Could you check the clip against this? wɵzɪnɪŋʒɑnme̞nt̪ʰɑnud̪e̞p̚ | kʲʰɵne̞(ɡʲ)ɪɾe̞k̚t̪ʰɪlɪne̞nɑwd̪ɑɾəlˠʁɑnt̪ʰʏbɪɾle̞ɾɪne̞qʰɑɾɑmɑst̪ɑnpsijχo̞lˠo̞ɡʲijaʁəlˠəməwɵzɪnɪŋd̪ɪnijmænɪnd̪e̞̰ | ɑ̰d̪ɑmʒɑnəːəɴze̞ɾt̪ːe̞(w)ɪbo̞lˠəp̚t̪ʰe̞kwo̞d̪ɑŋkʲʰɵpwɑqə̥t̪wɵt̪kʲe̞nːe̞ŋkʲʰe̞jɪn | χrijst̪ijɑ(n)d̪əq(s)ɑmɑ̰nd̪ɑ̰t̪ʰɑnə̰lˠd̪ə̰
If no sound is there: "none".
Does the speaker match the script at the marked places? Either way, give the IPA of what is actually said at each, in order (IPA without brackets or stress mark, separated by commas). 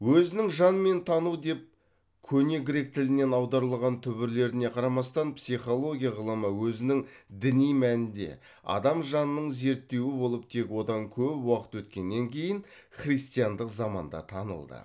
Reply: ɡʲ, w, n, z